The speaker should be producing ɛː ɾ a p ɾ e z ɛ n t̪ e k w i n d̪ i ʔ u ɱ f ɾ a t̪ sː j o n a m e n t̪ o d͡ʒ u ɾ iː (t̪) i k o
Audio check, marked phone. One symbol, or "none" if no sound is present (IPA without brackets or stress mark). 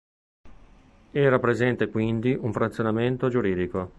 d̪